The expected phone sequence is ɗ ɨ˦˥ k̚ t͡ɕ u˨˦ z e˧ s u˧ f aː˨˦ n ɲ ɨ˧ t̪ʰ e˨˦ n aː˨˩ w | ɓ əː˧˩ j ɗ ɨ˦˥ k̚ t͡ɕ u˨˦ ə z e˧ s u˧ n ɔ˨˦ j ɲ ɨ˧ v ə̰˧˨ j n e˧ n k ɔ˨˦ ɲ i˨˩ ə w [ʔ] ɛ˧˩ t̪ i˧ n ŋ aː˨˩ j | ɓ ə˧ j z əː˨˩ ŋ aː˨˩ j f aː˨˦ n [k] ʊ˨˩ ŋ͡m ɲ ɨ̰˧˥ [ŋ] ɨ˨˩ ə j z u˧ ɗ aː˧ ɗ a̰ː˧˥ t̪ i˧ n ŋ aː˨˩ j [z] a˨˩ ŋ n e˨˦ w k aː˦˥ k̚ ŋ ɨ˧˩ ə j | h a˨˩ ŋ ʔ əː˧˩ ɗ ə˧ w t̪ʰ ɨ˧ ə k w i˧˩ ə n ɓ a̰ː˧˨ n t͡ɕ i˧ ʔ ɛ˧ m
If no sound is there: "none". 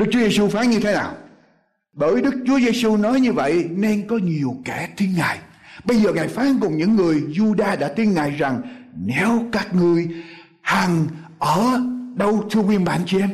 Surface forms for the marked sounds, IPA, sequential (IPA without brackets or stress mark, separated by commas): k, k, ŋː, z